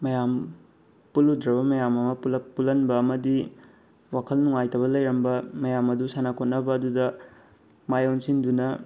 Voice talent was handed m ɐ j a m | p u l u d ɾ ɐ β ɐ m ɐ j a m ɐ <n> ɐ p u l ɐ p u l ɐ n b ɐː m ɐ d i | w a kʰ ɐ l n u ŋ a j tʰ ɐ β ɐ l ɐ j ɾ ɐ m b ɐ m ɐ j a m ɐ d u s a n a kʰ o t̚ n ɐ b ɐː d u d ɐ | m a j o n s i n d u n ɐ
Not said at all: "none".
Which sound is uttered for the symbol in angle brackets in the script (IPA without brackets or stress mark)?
m